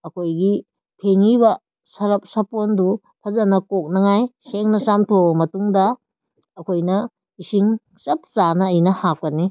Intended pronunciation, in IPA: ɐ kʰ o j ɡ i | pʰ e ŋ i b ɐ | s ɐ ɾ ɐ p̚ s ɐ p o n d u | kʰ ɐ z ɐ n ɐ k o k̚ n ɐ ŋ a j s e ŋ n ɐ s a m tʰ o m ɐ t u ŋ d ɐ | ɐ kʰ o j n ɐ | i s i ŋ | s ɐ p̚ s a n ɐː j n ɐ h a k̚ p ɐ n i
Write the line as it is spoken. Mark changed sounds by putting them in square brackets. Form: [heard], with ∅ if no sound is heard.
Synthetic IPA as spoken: ɐ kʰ o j ɡ i | pʰ e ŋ i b ɐ | s ɐ ɾ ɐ p̚ s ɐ p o n d u | [pʰ] ɐ z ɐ n ɐ k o k̚ n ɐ ŋ a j s e ŋ n ɐ s a m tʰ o m ɐ t u ŋ d ɐ | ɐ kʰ o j n ɐ | i s i ŋ | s ɐ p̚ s a n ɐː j n ɐ h a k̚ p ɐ n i

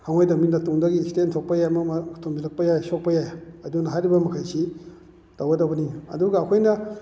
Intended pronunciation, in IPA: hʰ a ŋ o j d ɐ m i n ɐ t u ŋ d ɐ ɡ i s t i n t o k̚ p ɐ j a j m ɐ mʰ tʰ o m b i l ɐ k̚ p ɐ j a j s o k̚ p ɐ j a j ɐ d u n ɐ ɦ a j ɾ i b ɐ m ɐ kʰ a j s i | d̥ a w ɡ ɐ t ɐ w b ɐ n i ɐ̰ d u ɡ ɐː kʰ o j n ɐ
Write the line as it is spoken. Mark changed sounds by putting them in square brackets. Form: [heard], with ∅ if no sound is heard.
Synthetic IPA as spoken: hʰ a ŋ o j d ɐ m i n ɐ t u ŋ d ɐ ɡ i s t [e] n [tʰ] o k̚ p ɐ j a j m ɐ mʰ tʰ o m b i l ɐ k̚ p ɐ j a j s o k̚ p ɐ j a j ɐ d u n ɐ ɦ a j ɾ i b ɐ m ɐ kʰ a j s i | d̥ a w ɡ ɐ [d] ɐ w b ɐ n i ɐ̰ d u ɡ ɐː kʰ o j n ɐ

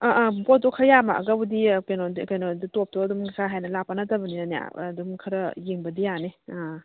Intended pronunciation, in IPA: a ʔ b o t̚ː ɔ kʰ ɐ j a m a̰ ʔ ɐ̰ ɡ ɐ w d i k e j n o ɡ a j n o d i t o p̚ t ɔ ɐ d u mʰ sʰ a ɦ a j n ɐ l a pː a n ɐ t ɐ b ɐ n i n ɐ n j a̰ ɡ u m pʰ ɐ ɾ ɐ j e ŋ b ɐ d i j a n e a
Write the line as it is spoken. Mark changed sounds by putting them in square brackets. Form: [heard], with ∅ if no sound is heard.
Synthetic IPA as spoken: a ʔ b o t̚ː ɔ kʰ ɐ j a m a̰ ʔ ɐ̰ ɡ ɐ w d i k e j n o [k] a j n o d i t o p̚ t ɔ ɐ d u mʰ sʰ a ɦ a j n ɐ l a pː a n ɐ t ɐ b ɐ n i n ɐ n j a̰ [d] u m [kʰ] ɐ ɾ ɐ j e ŋ b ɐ d i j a n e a

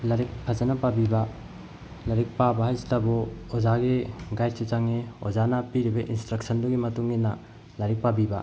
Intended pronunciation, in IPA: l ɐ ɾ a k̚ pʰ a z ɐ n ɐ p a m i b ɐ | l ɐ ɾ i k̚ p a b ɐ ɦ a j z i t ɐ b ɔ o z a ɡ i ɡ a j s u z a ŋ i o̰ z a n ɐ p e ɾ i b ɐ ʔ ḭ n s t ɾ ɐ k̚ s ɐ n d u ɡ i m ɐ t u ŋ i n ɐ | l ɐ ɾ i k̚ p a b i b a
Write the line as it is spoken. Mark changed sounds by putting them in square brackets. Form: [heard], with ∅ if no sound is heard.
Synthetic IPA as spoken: l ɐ ɾ [i] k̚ pʰ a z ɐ n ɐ p a [b] i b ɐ | l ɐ ɾ i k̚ p a b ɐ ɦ a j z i t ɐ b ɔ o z a ɡ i ɡ a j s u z a ŋ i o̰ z a n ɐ p [i] ɾ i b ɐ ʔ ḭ n s t ɾ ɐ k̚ s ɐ n d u ɡ i m ɐ t u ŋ i n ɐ | l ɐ ɾ i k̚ p a b i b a

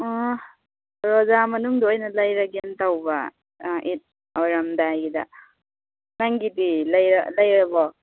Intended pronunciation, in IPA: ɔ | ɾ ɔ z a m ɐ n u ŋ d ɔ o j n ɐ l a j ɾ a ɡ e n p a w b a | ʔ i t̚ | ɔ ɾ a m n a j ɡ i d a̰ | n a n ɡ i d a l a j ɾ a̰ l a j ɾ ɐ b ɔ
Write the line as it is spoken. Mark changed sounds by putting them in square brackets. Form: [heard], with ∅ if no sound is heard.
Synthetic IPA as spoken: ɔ | ɾ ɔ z a m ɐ n u ŋ d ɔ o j n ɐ l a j ɾ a ɡ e n [t] a w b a | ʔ i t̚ | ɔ ɾ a m [d] a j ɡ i d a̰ | n a [ŋ] ɡ i d [i] l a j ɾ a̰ l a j ɾ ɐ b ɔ

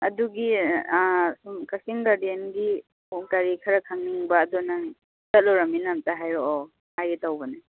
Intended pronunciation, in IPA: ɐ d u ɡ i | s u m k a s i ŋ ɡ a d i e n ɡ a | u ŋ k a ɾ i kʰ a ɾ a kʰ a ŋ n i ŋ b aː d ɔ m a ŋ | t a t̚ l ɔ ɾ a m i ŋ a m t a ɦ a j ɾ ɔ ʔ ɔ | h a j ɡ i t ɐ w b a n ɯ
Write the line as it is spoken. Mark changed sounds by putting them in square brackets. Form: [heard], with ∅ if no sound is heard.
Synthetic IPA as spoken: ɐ d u ɡ i | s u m k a s i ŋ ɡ a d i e n ɡ [i] | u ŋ k a ɾ i kʰ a ɾ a kʰ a ŋ n i ŋ b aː d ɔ [n] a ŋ | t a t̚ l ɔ ɾ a m i [n] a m t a ɦ a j ɾ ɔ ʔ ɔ | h a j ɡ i t [a] w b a n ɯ

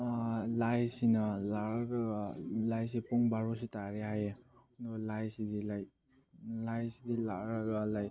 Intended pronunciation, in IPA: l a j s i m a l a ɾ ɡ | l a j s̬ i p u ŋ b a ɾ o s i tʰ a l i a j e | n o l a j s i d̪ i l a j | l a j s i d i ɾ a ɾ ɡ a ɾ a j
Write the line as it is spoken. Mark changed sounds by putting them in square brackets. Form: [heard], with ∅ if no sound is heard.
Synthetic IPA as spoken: l a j s i [n] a l a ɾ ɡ | l a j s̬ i p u ŋ b a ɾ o s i [t] a [ɾ] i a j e | n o l a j s i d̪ i l a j | l a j s i d i [l] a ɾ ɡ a [l] a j

